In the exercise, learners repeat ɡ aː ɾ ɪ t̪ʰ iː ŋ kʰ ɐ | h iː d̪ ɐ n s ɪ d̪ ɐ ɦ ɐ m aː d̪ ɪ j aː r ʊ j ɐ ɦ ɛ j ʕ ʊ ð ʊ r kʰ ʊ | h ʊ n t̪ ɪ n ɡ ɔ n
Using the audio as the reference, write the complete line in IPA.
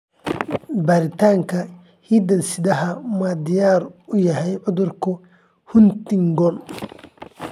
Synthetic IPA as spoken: b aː ɾ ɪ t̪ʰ aː ŋ kʰ ɐ | h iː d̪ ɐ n s ɪ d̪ ɐ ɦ ɐ m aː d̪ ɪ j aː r ʊ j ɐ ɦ ɛ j ʕ ʊ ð ʊ r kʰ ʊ | h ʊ n t̪ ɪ ŋ ɡ ɔ n